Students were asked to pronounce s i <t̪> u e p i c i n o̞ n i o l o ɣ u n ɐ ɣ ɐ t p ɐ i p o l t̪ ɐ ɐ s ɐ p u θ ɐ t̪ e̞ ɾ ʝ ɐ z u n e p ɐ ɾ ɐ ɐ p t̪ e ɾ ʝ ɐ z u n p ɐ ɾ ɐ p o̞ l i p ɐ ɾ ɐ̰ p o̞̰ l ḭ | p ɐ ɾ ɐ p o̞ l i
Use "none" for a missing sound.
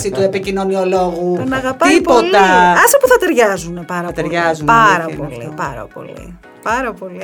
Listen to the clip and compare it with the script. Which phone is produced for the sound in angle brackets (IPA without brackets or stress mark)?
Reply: t̪